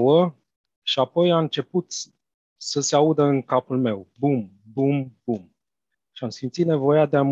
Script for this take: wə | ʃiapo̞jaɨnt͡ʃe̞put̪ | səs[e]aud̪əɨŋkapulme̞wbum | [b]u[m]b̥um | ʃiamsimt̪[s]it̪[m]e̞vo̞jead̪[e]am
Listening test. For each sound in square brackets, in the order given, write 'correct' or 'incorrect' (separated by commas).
correct, correct, correct, correct, incorrect, correct